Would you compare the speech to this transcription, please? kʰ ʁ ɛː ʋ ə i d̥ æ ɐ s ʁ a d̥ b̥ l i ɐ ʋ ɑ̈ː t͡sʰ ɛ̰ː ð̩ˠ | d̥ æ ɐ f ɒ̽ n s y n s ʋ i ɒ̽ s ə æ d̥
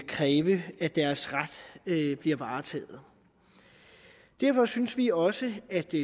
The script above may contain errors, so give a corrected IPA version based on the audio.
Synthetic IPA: kʰ ʁ ɛː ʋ ə æ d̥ æ ɐ s ʁ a d̥ b̥ l i ɐ ʋ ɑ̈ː t͡sʰ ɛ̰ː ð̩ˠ | d̥ æ ɐ f ɒ̽ s y n s ʋ i ɒ̽ s ə æ d̥

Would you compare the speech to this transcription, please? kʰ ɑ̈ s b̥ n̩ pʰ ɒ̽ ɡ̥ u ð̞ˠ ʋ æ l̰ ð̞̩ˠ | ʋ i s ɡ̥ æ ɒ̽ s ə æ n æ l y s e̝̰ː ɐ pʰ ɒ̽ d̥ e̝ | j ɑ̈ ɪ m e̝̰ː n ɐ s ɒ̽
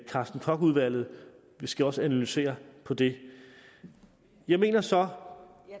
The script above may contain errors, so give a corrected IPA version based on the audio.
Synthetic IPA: kʰ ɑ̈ s d̥ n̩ kʰ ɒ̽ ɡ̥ u ð̞ˠ ʋ æ l̰ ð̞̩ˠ | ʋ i s ɡ̥ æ ɒ̽ s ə æ n æ l y s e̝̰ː ɐ pʰ ɒ̽ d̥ e̝ | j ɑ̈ ɪ m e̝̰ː n ɐ s ɒ̽

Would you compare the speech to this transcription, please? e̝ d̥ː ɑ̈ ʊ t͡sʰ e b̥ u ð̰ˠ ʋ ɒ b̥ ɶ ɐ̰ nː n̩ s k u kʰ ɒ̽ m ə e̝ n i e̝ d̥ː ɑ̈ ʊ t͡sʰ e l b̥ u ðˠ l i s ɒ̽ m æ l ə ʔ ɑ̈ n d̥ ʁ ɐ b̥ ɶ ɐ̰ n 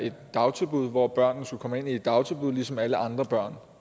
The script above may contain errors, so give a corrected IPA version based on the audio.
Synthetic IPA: e̝ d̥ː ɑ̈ ʊ t͡sʰ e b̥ u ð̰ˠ ʋ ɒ b̥ ɶ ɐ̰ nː n̩ s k u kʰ ɒ̽ m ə e̝ n i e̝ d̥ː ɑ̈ ʊ t͡sʰ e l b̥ u ðˠ l i s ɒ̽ m æ l ə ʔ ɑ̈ n d̥ ʁ ɐ b̥ ɶ ɐ̰ n

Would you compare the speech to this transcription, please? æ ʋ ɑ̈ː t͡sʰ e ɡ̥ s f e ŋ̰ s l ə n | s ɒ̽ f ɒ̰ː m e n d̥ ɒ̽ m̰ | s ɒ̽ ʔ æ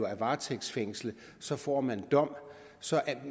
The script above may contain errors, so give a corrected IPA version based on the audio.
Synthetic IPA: æ ʋ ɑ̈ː t͡sʰ e ɡ̥ s f e ŋ̰ s l ə | s ɒ̽ f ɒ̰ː m æ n d̥ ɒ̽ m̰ | s ɒ̽ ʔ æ

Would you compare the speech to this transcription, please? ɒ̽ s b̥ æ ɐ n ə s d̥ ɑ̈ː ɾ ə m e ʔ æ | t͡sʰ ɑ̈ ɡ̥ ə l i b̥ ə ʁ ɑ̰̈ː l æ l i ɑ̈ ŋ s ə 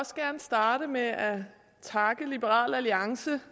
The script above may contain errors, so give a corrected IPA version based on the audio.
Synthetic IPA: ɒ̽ s ɡ̥ æ ɐ n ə s d̥ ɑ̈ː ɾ ə m e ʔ æ | t͡sʰ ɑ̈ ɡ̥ ə l i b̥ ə ʁ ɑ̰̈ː l æ l i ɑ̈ ŋ s ə

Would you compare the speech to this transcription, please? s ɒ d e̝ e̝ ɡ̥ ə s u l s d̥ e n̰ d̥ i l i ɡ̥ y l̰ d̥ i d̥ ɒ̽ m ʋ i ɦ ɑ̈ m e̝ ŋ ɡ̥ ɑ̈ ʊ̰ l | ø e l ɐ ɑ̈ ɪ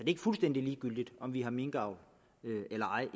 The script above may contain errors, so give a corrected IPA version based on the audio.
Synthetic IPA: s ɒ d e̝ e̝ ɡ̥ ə f u l s d̥ e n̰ d̥ i l iː ɡ̥ y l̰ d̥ i d̥ ɒ̽ m ʋ i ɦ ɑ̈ m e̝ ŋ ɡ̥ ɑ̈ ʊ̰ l | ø e l ɐ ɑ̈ ɪ

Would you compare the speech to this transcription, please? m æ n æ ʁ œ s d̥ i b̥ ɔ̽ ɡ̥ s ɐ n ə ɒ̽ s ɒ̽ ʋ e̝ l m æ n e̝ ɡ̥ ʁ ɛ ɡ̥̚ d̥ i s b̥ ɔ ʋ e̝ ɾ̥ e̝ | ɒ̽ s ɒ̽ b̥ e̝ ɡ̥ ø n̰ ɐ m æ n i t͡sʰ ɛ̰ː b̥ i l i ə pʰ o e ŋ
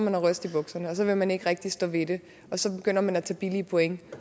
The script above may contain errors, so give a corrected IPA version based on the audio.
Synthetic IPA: m æ n æ ʁ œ s d̥ i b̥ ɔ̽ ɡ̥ s ɐ n ə ɒ̽ s ɒ̽ ʋ e̝ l m æ n e̝ ɡ̥ ʁ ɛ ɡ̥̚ d̥ i s d̥ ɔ ʋ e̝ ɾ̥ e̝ | ɒ̽ s ɒ̽ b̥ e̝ ɡ̥ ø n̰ ɐ m æ n æ t͡sʰ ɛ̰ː b̥ i l i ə pʰ o e ŋ

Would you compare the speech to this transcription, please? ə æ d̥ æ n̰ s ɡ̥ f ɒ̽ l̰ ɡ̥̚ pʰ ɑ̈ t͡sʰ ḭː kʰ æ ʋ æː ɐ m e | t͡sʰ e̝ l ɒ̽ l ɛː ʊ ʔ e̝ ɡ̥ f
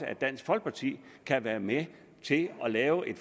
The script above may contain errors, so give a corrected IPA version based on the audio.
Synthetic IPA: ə æ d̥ æ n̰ s ɡ̥ f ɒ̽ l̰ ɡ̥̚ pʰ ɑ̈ t͡sʰ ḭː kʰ æ ʋ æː ɐ m e | t͡sʰ e̝ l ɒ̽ l ɛː ʊ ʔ e̝ d̥ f

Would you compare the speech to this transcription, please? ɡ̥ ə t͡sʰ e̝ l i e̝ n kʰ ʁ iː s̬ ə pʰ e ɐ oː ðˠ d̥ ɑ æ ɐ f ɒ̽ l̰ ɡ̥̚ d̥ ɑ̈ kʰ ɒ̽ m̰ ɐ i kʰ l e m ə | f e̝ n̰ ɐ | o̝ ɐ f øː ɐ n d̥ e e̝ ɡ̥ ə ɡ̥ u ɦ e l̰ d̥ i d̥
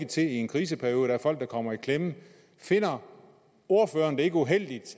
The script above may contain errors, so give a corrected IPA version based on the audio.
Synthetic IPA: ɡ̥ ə t͡sʰ e̝ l i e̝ n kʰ ʁ iː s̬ ə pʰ æ ɐ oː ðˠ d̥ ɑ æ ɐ f ɒ̽ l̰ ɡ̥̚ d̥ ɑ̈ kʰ ɒ̽ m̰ ɐ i kʰ l e m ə | f e̝ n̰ ɐ | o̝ ɐ f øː ɐ n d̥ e e̝ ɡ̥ ə u ɦ e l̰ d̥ i d̥

